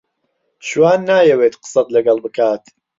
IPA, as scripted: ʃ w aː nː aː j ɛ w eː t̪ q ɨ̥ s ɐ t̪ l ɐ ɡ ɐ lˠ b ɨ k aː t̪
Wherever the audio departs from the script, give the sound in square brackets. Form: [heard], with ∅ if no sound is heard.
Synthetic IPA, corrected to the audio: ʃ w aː nː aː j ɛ w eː t̪ q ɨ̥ s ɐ t̪ l ɐ ɡ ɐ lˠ b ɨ k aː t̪